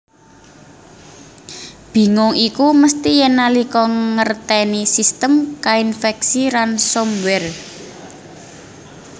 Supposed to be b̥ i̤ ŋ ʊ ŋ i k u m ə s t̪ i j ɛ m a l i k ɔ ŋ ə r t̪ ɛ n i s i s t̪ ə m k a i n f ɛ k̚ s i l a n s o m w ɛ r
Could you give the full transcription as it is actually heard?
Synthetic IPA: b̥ i̤ ŋ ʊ ŋ i k u m ə s t̪ i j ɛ n a l i k ɔ ŋ ə r t̪ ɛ n i s i s t̪ ə m k a i n f ɛ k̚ s i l a n s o m w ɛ r

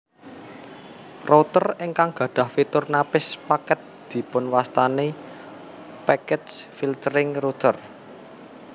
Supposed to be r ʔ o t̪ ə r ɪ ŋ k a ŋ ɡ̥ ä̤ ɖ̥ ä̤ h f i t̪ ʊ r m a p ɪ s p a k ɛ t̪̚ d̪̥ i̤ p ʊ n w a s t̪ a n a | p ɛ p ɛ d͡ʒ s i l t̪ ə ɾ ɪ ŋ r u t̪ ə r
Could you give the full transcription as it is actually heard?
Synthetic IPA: r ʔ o t̪ ə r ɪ ŋ k a ŋ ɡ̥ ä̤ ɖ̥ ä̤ h f i t̪ ʊ r n a p ɪ s p a k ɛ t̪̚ d̪̥ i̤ p ʊ n w a s t̪ a n e | p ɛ k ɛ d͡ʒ f i l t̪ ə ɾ ɪ ŋ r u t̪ ə r

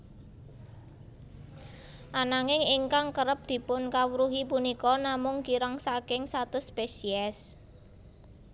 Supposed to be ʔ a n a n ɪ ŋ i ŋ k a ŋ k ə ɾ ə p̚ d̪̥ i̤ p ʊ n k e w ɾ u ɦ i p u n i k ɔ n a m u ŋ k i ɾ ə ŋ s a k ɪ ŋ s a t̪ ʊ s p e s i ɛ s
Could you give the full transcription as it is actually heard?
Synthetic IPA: ʔ a n a ŋ ɪ ŋ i ŋ k a ŋ k ə ɾ ə p̚ d̪̥ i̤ p ʊ n k a w ɾ u ɦ i p u n i k ɔ n a m ʊ ŋ k i ɾ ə ŋ s a k ɪ ŋ s a t̪ ʊ s p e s i ɛ s

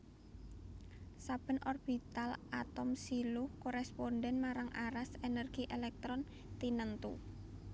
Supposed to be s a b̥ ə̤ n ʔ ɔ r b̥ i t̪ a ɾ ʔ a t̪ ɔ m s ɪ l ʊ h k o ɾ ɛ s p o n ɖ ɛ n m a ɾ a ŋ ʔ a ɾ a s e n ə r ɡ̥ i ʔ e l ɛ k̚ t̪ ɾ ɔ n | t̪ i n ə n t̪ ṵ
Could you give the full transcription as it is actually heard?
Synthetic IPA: s a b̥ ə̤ n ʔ ɔ r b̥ i t̪ a l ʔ a t̪ ɔ m s i l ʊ h k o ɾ ɛ s p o n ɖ ɛ n m a ɾ a ŋ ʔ a ɾ a s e n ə r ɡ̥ i ʔ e l ɛ k̚ t̪ ɾ ɔ n | t̪ i n ə n t̪ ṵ

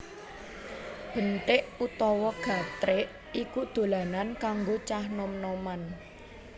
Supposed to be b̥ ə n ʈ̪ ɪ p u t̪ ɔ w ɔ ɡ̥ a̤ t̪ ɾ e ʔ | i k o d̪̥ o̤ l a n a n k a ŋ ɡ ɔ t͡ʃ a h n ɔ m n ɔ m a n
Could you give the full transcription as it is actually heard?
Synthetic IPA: b̥ ə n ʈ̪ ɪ ʔ u t̪ ɔ w ɔ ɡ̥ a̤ t̪ ɾ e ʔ | i k u d̪̥ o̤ l a n a n k a ŋ ɡ o t͡ʃ a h n ɔ m n ɔ m a n

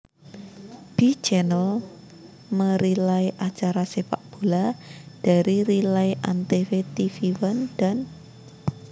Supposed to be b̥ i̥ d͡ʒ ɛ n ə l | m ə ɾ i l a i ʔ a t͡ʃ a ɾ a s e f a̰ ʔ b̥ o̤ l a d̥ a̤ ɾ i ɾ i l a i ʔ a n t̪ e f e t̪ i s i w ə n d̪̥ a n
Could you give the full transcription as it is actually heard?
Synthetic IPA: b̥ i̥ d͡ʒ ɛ n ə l | m ə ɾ i l a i ʔ a t͡ʃ a ɾ a s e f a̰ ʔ b̥ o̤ l a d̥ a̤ ɾ i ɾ i l a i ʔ a n t̪ e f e t̪ i f i w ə n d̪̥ a n

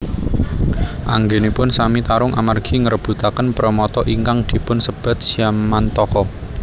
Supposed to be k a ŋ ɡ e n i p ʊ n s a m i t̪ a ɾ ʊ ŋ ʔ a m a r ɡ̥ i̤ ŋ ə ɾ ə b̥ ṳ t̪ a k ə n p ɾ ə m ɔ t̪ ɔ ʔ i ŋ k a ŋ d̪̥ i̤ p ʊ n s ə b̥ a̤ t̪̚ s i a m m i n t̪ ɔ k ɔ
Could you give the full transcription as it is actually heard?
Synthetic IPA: ʔ a ŋ ɡ e n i p ʊ n s a m i t̪ a ɾ ʊ ŋ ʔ a m a r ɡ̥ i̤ ŋ ə ɾ ə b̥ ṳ t̪ a k ə n p ɾ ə m ɔ t̪ ɔ ʔ i ŋ k a ŋ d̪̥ i̤ p ʊ n s ə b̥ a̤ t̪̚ s i a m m a n t̪ ɔ k ɔ

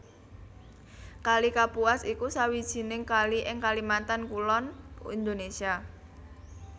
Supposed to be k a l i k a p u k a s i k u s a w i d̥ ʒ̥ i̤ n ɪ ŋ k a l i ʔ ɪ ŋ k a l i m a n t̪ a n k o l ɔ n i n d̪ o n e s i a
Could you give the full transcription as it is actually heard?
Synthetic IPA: k a l i k a p u a s i k u s a w i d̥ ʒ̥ i̤ n ɪ ŋ k a l i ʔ ɪ ŋ k a l i m a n t̪ a n k u l ɔ n i n d̪ o n e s i a

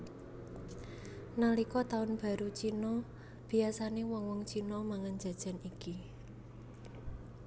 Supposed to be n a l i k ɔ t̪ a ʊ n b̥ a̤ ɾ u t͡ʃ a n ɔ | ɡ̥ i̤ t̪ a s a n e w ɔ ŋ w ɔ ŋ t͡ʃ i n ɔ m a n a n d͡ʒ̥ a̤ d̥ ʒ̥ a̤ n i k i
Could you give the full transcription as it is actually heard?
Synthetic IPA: n a l i k ɔ t̪ a ʊ n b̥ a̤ ɾ u t͡ʃ i n ɔ | b̥ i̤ a s a n e w ɔ ŋ w ɔ ŋ t͡ʃ i n ɔ m a ŋ a n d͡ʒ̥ a̤ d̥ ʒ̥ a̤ n i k i

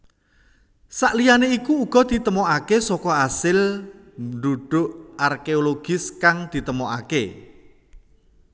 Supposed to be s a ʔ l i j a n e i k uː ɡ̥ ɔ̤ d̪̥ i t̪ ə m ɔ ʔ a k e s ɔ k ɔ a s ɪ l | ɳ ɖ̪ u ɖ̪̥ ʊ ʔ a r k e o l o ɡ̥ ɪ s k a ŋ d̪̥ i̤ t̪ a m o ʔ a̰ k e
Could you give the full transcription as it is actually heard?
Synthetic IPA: s a ʔ l i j a n e i k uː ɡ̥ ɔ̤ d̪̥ i t̪ ə m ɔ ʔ a k e s ɔ k ɔ a s ɪ l | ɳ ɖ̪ u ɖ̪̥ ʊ ʔ a r k e o l o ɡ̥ ɪ s k a ŋ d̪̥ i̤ t̪ ə m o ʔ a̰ k e

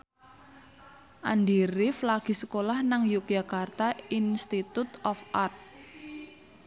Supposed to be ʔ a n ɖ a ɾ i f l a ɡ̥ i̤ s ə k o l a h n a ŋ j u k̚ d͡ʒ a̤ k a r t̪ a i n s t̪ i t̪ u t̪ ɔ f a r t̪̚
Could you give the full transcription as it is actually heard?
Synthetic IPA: ʔ a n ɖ i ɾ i f l a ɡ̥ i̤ s ə k o l a h n a ŋ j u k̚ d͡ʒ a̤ k a r t̪ a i n s t̪ i t̪ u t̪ ɔ f a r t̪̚

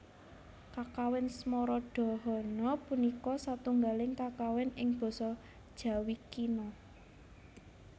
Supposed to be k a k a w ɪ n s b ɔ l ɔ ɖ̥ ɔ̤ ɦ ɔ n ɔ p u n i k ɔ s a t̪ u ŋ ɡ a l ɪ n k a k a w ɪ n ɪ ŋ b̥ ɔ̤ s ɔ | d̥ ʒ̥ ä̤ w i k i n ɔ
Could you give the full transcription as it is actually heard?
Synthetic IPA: k a k a w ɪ n s m ɔ ɾ ɔ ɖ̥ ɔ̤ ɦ ɔ n ɔ p u n i k ɔ s a t̪ u ŋ ɡ a l ɪ ŋ k a k a w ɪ n ɪ ŋ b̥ ɔ̤ s ɔ | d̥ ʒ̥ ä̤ w i k i n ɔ

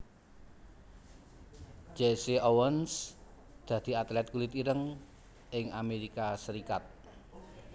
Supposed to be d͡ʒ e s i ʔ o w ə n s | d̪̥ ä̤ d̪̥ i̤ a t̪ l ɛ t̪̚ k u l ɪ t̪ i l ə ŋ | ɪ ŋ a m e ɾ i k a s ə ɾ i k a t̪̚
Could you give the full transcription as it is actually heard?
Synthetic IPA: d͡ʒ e s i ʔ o w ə n s | d̪̥ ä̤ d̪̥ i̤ a t̪ l ɛ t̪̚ k u l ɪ t̪ i ɾ ə ŋ | ɪ ŋ a m e ɾ i k a s ə ɾ i k a t̪̚

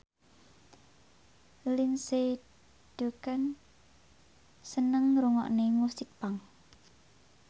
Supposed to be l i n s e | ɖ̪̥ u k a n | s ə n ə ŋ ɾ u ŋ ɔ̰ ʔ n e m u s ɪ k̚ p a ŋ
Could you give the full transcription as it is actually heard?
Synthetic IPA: l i n s e | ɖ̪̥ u k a n | s ə n ə ŋ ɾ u ŋ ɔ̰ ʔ n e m u s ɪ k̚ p a ŋ

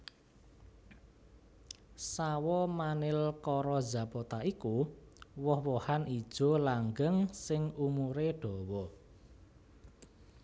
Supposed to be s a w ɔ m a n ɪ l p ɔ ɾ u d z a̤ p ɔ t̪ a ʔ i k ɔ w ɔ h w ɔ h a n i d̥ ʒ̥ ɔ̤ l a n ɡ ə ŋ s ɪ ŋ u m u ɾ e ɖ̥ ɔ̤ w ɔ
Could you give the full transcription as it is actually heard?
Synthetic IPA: s a w ɔ m a n ɪ l k ɔ ɾ ɔ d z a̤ p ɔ t̪ a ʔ i k u w ɔ h w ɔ h a n i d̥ ʒ̥ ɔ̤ l a ŋ ɡ ə ŋ s ɪ ŋ u m u ɾ e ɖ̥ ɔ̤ w ɔ

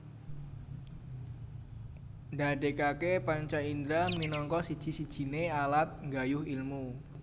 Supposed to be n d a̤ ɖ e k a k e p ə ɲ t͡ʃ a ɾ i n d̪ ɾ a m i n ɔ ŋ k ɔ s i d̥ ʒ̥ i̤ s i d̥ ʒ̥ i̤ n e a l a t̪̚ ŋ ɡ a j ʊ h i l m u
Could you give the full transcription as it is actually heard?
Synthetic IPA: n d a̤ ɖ e k a k e p a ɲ t͡ʃ a i n d̪ ɾ a m i n ɔ ŋ k ɔ s i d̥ ʒ̥ i̤ s i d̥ ʒ̥ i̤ n e a l a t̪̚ ŋ ɡ a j ʊ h i l m u

